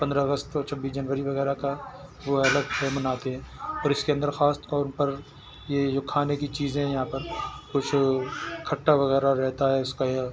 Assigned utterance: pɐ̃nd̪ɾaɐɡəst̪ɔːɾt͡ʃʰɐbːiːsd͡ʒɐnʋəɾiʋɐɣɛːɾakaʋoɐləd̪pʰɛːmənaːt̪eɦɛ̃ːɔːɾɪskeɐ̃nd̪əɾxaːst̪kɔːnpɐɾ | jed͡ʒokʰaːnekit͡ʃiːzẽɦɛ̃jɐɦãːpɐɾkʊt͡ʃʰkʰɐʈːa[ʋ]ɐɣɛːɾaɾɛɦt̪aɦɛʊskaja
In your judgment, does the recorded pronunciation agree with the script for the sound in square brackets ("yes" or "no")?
yes